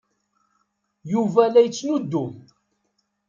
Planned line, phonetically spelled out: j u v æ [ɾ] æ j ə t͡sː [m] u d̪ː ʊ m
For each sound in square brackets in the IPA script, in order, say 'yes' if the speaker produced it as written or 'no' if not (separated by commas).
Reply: no, no